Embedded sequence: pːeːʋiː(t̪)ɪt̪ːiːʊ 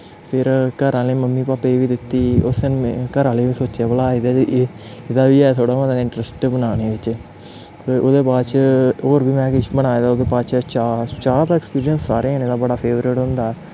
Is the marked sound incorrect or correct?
incorrect